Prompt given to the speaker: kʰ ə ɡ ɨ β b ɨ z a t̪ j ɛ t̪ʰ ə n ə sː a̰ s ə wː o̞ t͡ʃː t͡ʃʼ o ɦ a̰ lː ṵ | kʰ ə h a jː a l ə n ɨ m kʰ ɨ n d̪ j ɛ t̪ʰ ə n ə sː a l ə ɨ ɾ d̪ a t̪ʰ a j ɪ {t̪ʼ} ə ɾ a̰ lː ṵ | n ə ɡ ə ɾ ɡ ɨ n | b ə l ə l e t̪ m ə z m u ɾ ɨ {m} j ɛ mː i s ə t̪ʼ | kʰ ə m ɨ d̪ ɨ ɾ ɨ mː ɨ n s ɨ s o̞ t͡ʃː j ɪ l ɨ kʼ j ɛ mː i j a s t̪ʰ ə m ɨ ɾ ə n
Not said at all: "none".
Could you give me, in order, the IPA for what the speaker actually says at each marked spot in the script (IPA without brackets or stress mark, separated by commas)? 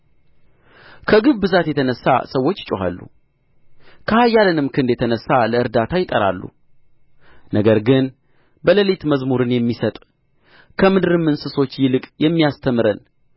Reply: t̪ʼ, n